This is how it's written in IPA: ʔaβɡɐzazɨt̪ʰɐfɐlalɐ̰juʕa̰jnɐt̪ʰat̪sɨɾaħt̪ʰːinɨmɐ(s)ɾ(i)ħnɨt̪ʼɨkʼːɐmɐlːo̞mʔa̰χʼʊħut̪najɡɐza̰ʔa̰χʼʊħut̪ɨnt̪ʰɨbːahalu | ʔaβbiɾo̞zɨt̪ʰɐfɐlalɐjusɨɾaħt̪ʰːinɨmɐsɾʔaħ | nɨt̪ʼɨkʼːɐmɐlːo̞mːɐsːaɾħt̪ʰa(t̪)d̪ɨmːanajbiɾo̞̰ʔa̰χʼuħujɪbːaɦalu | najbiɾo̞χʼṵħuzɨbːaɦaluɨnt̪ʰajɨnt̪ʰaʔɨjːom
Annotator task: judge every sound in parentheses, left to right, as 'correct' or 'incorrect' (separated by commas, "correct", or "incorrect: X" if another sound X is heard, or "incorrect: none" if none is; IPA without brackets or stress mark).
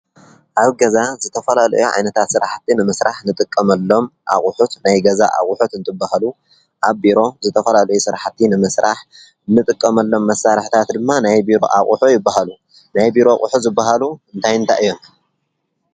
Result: correct, incorrect: a, correct